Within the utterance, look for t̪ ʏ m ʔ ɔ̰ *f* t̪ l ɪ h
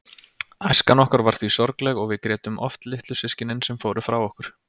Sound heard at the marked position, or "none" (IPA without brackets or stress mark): f